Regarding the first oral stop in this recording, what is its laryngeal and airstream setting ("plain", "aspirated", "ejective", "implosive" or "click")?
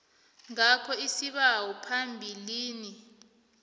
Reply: aspirated